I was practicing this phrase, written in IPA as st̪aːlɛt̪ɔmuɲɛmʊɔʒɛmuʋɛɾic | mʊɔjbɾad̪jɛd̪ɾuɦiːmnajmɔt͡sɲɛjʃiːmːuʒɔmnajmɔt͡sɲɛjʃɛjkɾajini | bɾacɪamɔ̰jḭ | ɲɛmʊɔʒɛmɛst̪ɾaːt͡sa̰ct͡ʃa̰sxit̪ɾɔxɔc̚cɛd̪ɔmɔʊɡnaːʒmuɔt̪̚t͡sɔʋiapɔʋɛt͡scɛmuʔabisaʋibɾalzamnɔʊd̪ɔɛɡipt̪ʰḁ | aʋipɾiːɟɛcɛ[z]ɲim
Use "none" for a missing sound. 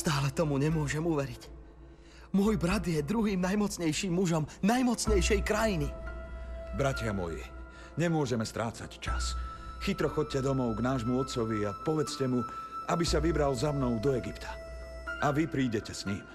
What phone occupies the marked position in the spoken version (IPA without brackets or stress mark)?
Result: s